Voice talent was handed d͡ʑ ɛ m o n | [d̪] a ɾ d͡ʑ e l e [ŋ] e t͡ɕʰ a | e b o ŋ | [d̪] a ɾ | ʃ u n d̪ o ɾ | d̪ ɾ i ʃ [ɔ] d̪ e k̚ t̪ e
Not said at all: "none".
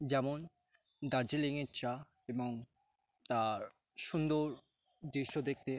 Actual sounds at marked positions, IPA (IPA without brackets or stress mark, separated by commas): d̪, ŋ, t̪, o